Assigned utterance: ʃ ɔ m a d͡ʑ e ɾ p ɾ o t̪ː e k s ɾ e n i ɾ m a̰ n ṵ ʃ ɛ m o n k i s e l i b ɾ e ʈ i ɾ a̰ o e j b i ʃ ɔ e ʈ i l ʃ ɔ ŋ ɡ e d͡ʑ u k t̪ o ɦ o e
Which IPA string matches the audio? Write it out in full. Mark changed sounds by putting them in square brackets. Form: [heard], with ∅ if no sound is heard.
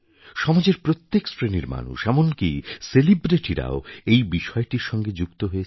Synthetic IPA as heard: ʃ ɔ m a d͡ʑ e ɾ p ɾ o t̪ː e k s ɾ e n i ɾ m a̰ n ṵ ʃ ɛ m o n k i s e l i b ɾ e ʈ i ɾ a̰ o e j b i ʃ ɔ e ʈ i [ɾ] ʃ ɔ ŋ ɡ e d͡ʑ u k t̪ o ɦ o e